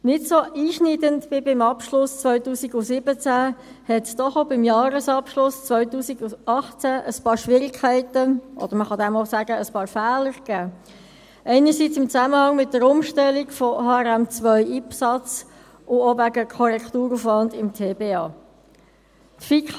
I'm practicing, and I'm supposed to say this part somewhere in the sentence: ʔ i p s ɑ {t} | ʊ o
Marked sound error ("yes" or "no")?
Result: yes